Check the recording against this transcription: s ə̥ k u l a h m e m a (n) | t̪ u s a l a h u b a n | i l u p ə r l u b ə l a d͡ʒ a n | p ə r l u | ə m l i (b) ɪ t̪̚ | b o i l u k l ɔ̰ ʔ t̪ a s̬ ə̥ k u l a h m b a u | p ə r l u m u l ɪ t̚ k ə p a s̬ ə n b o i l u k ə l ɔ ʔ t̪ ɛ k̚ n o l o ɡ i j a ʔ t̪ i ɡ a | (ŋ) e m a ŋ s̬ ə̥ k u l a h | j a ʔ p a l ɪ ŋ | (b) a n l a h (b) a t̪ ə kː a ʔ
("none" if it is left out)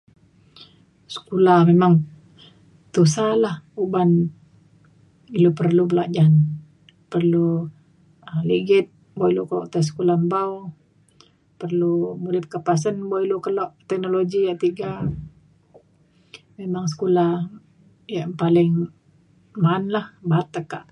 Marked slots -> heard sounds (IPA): ŋ, ɡ, m, m, b

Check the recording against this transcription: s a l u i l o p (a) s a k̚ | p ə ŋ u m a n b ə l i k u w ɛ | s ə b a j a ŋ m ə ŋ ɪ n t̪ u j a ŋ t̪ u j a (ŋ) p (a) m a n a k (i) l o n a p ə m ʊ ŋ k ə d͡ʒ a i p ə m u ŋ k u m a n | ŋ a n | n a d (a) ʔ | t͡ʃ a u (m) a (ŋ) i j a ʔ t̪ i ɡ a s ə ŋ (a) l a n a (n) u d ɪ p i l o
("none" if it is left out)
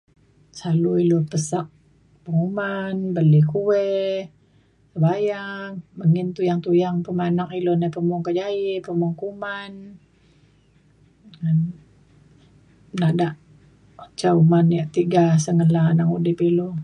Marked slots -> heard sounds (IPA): ə, ŋ, ə, i, a, m, n, ə, ŋ

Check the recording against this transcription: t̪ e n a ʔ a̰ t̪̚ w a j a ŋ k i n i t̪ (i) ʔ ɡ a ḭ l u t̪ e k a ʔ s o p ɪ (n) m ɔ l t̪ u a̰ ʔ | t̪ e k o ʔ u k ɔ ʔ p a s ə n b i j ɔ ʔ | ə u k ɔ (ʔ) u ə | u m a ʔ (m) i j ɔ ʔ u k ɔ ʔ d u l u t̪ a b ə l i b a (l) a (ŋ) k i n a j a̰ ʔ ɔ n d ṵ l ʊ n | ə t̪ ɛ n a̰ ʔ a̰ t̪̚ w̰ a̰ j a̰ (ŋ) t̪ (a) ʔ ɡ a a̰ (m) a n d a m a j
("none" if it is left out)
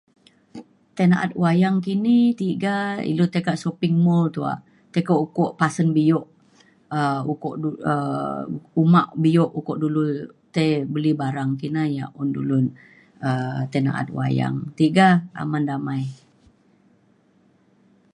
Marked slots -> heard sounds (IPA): i, ŋ, ʔ, b, ɾ, ŋ, ŋ, i, m

